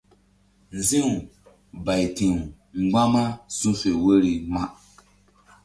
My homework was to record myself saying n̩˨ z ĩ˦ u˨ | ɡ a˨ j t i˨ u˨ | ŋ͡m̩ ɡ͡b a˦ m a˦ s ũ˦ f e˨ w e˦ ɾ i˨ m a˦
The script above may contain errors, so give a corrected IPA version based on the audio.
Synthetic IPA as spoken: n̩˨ z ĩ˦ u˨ | b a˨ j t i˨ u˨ | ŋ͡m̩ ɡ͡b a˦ m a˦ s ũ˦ f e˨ w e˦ ɾ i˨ m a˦